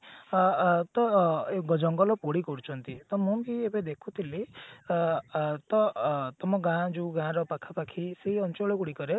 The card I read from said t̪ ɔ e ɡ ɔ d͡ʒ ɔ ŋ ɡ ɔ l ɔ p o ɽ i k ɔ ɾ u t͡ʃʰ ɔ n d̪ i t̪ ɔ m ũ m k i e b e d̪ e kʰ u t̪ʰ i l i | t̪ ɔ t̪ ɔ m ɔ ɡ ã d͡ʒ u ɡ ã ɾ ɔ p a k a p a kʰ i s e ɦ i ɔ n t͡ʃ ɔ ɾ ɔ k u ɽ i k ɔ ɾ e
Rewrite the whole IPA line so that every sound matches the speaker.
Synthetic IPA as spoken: t̪ ɔ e ɡ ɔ d͡ʒ ɔ ŋ ɡ ɔ l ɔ p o ɽ i k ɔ ɾ u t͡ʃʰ ɔ n t̪ i t̪ ɔ m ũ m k i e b e d̪ e kʰ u t̪ʰ i l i | t̪ ɔ t̪ ɔ m ɔ ɡ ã d͡ʒ u ɡ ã ɾ ɔ p a kʰ a p a kʰ i s e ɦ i ɔ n t͡ʃ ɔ ɭ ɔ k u ɽ i k ɔ ɾ e

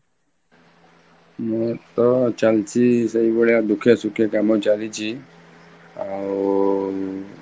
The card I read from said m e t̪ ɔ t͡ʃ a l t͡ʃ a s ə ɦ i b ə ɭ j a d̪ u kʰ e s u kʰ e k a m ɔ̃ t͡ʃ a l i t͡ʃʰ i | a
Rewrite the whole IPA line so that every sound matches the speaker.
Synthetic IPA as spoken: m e t̪ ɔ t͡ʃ a l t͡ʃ i s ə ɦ i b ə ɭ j a d̪ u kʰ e s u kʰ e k a m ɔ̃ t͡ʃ a l i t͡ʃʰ i | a

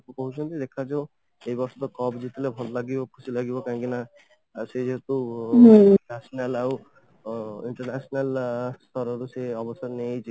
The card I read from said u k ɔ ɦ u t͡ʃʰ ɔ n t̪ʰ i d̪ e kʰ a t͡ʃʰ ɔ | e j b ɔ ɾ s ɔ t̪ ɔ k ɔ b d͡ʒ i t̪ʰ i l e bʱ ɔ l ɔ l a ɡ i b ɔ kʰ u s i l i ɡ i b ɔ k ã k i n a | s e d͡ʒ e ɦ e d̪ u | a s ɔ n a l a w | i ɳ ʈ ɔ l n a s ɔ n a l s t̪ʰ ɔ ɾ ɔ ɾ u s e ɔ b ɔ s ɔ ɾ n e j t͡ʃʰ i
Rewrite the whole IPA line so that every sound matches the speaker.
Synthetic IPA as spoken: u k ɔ ɦ u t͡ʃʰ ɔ n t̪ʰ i d̪ e kʰ a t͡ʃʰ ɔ | e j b ɔ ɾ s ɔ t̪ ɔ k ɔ b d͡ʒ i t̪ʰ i l e bʱ ɔ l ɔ l a ɡ i b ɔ kʰ u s i l a ɡ i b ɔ k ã k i n a | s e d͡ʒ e ɦ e t̪ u | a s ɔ n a l a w | i ɳ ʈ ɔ ɾ n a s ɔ n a l s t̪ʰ ɔ ɾ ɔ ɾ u s e ɔ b ɔ s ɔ ɾ n e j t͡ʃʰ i

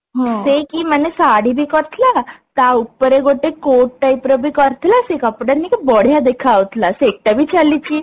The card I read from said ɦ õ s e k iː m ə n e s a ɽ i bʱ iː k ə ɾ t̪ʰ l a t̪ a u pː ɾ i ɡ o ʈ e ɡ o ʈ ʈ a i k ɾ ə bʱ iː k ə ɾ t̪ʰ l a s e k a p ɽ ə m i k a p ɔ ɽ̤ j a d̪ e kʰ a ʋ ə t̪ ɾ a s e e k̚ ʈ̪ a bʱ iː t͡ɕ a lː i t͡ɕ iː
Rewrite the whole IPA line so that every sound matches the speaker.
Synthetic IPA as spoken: ɦ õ s e k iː m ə n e s a ɽ i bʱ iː k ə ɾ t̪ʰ l a t̪ a u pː ɾ e ɡ o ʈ e k o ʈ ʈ a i p ɾ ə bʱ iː k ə ɾ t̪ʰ l a s e k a p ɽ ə n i k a b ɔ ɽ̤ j a d̪ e kʰ a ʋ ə t̪ l a s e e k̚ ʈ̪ a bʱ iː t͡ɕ a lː i t͡ɕ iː

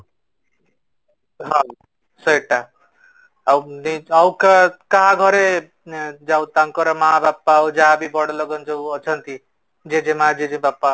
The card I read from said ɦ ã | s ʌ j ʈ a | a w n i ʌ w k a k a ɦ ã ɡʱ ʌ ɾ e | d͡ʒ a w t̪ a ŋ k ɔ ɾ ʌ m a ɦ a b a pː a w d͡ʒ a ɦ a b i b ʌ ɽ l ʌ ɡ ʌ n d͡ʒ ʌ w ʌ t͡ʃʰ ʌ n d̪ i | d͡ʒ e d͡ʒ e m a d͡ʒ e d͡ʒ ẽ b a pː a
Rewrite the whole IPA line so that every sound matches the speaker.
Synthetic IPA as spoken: ɦ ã | s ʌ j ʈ a | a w n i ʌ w k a k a ɦ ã ɡʱ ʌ ɾ e | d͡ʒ a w t̪ a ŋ k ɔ ɾ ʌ m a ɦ a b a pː a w d͡ʒ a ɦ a b i b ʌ ɽ l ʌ ɡ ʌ n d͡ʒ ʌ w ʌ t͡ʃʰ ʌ n t̪ i | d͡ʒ e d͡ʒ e m a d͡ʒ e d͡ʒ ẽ b a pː a

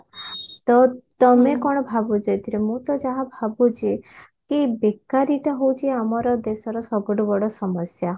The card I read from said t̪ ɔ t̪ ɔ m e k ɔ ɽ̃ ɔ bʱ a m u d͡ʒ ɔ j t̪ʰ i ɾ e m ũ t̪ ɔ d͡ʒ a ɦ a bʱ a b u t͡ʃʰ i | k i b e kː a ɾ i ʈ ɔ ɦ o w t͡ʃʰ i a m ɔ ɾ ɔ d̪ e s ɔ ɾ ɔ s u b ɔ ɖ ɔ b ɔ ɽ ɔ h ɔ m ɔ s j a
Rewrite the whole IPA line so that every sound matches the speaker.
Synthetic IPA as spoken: t̪ ɔ t̪ ɔ m e k ɔ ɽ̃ ɔ bʱ a b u d͡ʒ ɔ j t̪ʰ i ɾ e m ũ t̪ ɔ d͡ʒ a ɦ a bʱ a b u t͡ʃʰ i | k i b e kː a ɾ i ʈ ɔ ɦ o w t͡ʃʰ i a m ɔ ɾ ɔ d̪ e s ɔ ɾ ɔ s ɔ b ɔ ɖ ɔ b ɔ ɽ ɔ s ɔ m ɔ s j a

